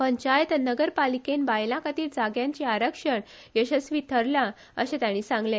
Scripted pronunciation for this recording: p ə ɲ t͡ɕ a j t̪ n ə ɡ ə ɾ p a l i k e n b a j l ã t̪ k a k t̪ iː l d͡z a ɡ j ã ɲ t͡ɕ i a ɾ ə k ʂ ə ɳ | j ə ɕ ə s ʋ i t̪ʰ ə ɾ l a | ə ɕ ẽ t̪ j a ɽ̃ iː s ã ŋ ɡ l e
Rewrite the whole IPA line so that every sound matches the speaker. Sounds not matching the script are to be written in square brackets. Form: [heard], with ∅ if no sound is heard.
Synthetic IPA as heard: p ə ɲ t͡ɕ a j t̪ n ə ɡ ə ɾ p a l i k e n b a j l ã [∅] k a [∅] t̪ iː l d͡z a ɡ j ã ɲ t͡ɕ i a ɾ ə k ʂ ə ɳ | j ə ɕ ə s ʋ i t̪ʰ ə ɾ l a | ə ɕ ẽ t̪ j a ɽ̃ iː s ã ŋ ɡ l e